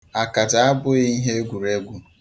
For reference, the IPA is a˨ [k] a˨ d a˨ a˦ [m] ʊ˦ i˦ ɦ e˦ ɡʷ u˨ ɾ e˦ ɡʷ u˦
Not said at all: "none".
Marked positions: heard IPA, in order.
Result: k, b

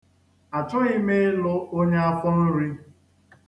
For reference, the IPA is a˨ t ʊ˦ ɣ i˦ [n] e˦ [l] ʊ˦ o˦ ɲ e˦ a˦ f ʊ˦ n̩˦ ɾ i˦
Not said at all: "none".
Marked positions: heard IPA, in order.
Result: m, l

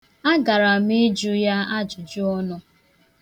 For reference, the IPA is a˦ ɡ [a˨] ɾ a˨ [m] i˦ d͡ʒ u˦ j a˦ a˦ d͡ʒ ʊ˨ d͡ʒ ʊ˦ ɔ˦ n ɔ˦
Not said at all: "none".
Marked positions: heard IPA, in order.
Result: a˨, m

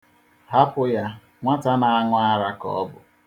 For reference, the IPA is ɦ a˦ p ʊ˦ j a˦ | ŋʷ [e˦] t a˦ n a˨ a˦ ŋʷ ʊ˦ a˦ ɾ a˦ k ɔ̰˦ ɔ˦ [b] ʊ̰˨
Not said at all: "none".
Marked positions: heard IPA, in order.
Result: a˦, b

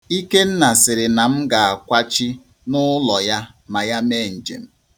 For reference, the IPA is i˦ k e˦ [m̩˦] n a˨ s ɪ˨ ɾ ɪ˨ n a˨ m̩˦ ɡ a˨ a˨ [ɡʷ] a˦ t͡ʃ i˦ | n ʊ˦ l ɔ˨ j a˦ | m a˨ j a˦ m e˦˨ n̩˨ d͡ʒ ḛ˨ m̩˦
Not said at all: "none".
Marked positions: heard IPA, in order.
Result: n̩˦, kʷ

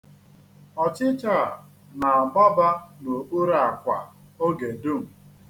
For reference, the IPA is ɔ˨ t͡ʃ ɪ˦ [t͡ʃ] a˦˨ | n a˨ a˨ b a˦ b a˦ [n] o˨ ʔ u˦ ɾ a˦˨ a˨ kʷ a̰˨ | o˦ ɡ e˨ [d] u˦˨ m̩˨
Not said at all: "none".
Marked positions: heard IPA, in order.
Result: t͡ʃ, n, d

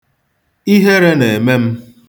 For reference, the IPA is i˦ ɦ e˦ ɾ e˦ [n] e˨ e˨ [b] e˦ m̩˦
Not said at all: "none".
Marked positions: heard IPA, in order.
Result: n, m

